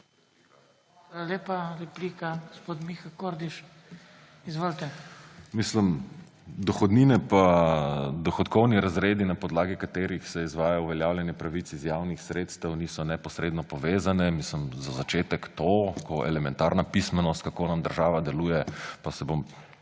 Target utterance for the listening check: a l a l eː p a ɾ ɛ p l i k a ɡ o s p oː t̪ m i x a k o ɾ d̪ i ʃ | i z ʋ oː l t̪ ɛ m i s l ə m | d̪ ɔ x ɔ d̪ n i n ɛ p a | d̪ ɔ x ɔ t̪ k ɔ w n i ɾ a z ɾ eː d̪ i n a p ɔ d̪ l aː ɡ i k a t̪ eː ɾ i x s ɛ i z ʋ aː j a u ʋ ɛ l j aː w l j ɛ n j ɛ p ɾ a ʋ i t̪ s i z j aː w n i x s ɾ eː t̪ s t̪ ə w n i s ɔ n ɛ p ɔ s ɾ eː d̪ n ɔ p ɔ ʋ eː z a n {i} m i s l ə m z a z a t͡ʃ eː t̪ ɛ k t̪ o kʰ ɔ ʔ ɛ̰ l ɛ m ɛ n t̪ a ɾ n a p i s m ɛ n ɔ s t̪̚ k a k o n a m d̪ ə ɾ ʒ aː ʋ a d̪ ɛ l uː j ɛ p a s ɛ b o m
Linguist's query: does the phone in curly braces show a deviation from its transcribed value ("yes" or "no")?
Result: yes